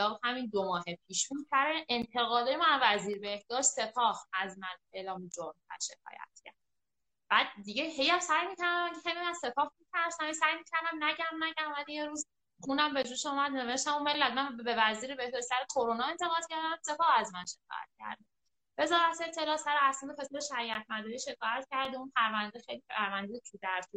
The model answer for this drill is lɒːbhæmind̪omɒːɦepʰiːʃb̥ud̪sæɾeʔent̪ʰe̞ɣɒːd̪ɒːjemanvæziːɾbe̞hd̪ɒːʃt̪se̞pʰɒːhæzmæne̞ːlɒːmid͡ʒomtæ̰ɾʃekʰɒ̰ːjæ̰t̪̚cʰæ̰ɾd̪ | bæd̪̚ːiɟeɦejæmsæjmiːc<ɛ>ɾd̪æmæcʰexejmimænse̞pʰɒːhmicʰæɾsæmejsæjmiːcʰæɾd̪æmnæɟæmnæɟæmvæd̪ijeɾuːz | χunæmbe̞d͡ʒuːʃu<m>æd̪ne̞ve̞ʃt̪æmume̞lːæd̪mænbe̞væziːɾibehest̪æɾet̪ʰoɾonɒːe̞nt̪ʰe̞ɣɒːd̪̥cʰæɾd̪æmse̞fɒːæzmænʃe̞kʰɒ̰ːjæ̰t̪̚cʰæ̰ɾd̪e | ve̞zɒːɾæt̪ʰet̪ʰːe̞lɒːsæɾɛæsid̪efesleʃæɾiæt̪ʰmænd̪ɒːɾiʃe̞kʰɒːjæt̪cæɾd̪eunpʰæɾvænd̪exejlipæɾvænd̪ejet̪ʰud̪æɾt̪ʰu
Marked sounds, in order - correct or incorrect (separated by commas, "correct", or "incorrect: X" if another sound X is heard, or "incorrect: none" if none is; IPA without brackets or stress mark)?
incorrect: æ, correct